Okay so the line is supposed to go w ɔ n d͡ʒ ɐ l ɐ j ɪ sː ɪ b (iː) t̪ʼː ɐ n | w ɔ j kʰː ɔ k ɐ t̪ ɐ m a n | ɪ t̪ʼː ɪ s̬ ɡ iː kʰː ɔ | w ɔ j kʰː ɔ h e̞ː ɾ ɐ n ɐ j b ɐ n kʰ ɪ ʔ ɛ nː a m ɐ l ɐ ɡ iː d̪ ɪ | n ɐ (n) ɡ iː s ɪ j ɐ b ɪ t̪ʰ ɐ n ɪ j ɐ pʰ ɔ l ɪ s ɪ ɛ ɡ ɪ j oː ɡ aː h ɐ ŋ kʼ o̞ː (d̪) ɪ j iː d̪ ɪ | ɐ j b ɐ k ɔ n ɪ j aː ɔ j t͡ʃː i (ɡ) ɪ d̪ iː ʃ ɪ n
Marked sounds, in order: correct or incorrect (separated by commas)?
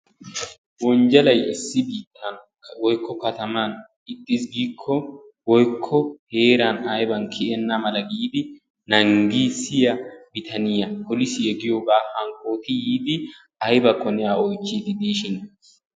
correct, incorrect, incorrect, correct